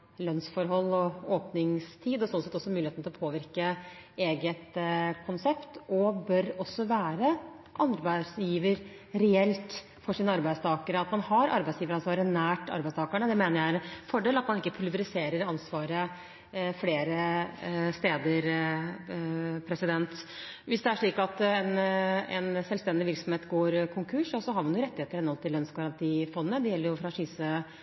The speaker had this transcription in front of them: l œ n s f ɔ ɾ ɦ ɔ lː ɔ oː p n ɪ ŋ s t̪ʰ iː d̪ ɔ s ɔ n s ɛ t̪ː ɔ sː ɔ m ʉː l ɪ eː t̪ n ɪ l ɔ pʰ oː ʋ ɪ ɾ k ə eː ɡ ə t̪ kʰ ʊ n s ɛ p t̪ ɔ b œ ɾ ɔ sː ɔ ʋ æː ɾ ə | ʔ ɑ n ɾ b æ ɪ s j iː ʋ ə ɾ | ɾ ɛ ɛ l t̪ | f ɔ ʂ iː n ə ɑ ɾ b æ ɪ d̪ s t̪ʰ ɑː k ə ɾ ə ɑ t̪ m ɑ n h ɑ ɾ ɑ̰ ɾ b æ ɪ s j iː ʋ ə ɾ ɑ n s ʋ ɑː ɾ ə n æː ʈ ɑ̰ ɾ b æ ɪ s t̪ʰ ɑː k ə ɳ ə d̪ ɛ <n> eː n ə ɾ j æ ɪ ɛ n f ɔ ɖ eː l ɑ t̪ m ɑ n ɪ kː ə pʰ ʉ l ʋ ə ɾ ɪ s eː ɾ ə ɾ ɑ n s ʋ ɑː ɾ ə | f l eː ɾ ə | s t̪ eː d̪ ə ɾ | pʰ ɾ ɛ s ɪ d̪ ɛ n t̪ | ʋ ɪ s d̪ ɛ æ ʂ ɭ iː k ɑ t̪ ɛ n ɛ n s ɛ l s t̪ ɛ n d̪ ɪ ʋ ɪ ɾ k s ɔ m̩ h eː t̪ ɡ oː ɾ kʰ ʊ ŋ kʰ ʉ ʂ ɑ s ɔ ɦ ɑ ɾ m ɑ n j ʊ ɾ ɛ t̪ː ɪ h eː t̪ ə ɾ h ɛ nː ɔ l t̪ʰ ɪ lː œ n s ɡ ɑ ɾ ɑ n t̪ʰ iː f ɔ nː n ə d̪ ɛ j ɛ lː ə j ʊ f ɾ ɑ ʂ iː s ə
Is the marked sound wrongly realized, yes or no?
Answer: yes